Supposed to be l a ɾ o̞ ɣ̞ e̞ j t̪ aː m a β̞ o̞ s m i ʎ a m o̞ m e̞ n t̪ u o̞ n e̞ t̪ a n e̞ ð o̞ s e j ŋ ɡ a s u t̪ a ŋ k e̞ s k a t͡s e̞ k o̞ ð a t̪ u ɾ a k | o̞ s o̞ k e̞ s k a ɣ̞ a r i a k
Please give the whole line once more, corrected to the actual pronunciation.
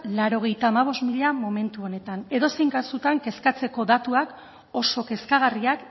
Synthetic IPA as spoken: l a ɾ o̞ ɣ̞ e̞ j t̪ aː m a β̞ o̞ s m i ʎ a m o̞ m e̞ n t̪ u o̞ n e̞ t̪ a n e̞ ð o̞ s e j ŋ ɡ a s u t̪ a ŋ k e̞ s k a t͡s e̞ k o̞ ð a t̪ u a k | o̞ s o̞ k e̞ s k a ɣ̞ a r i a k